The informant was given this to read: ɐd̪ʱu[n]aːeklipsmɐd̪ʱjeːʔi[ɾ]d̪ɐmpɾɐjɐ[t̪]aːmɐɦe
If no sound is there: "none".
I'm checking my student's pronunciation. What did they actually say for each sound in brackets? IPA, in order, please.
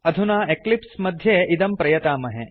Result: n, none, t̪

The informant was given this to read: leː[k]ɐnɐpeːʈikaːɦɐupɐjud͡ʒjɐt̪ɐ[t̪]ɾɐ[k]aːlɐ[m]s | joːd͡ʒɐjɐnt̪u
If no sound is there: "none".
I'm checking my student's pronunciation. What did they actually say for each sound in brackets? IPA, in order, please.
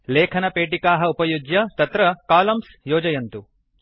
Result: kʰ, t̪, k, m

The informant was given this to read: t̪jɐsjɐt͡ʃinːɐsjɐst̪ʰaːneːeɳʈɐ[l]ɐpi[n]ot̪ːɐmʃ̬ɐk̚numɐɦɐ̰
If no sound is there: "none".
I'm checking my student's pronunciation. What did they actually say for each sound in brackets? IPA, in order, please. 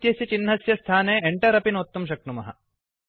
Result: ɾ, n

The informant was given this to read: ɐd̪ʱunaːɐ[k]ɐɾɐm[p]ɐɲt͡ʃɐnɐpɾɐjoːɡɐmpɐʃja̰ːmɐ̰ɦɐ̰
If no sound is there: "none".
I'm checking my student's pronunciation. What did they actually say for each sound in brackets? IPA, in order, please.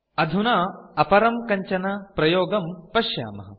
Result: p, k

